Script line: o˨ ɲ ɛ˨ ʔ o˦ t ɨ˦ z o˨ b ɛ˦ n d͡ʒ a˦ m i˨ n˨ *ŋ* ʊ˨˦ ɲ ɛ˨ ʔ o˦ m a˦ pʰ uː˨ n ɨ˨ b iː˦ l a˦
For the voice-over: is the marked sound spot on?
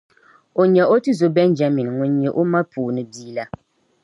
yes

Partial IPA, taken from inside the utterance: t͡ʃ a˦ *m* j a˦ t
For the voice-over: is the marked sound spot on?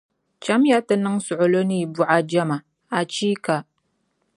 yes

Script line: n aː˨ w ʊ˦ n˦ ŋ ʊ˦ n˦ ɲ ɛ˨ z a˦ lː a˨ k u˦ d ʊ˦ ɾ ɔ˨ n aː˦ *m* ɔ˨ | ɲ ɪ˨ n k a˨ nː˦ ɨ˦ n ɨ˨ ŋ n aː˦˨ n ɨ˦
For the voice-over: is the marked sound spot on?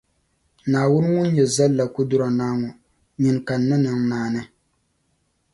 no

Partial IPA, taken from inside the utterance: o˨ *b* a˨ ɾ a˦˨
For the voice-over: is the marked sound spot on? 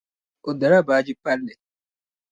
no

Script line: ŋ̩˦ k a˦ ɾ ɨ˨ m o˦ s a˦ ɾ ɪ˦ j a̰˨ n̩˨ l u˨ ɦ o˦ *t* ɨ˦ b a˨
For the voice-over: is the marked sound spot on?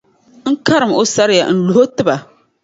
yes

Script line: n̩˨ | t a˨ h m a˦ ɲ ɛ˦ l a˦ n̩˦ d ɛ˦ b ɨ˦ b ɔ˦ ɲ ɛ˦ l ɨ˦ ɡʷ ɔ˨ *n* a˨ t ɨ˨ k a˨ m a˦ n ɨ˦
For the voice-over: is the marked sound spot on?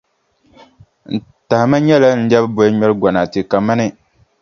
yes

